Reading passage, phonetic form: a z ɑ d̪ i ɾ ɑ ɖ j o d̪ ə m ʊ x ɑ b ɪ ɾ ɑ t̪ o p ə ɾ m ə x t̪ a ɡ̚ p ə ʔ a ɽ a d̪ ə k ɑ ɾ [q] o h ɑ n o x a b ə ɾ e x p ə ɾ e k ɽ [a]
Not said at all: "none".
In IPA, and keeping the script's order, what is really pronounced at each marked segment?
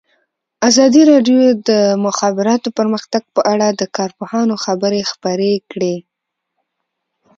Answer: p, e

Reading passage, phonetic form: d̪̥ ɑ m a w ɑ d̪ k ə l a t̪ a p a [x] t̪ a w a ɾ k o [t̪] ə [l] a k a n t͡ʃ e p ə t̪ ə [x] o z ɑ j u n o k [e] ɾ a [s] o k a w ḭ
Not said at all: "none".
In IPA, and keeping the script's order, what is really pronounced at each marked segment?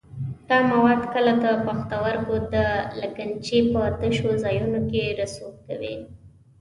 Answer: x, d̪, l, ʃ, e, s

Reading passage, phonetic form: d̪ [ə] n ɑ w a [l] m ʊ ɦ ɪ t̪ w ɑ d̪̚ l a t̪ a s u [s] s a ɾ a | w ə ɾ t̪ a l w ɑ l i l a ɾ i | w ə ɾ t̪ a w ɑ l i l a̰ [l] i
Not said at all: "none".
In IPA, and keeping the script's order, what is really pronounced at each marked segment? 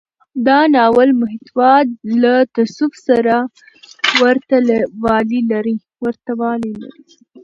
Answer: ɑ, l, f, ɾ

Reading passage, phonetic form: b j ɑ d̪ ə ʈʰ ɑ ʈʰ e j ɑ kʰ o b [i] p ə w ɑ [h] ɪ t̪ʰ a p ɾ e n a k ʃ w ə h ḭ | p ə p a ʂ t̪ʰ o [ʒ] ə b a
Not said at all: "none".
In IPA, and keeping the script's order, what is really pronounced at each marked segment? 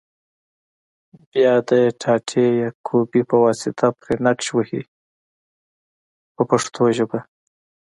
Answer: i, s, ʒ

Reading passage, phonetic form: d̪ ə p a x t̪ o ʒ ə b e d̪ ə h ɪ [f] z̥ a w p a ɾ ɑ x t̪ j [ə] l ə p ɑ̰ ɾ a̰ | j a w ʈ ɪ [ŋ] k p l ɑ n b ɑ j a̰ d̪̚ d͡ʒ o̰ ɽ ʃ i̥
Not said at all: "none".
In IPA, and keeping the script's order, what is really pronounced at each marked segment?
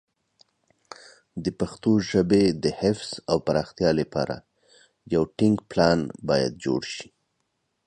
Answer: f, ɑ, ŋ

